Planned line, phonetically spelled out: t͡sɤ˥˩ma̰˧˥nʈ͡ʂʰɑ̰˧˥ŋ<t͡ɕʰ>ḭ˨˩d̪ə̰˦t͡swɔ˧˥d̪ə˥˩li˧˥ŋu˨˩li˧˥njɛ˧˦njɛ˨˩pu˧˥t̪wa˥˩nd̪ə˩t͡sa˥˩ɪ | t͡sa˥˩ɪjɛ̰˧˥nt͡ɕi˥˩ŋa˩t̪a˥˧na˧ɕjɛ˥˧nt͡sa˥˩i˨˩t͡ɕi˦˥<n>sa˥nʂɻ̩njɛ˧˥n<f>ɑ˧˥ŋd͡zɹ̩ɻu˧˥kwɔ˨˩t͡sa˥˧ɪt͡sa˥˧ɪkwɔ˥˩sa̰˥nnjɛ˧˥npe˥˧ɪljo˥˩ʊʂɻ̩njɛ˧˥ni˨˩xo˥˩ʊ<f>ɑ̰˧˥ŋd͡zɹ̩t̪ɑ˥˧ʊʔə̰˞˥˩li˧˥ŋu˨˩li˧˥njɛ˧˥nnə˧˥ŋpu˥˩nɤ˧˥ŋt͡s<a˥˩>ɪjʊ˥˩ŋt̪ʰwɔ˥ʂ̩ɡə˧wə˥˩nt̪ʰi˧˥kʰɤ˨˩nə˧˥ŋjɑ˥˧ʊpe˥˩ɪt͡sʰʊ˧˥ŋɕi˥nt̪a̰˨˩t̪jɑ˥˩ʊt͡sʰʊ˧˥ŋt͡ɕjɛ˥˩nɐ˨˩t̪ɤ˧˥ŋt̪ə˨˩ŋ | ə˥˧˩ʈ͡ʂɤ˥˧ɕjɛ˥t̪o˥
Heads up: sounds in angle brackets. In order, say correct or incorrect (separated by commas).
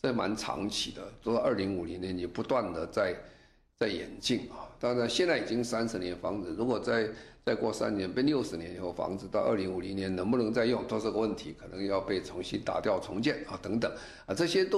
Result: correct, incorrect, correct, correct, incorrect